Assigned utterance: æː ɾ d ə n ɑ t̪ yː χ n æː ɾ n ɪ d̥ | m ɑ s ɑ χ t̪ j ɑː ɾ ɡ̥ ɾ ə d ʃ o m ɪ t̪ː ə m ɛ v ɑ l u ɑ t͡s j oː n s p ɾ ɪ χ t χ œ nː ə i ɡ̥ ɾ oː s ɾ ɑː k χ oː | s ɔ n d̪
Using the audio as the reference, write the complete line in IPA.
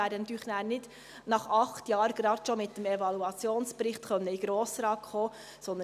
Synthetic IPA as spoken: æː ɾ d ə n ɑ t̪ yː χ n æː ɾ n ɪ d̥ | n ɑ χ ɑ χ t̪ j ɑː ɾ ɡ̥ ɾ ɑ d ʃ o m ɪ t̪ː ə m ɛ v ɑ l u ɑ t͡s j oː n s p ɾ ɪ χ t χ œ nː ə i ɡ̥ ɾ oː s ɾ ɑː k χ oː | s ɔ n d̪